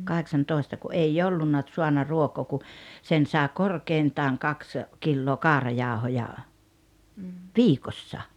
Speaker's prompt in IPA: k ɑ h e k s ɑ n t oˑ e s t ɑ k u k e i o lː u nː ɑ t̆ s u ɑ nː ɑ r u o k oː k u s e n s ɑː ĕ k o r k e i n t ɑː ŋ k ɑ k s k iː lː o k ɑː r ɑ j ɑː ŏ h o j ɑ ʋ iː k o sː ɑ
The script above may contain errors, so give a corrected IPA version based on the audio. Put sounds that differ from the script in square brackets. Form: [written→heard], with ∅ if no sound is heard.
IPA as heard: k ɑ h e k s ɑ n t oˑ e s t ɑ k u [k→ʔ] e i o lː u nː ɑ t̆ s u ɑ nː ɑ r u o k oː k u s e n s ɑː ĕ k o r k e i n t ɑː ŋ k ɑ k s k [iː→i] lː [o→oː] k ɑː r ɑ j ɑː ŏ h o j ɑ ʋ iː k o sː ɑ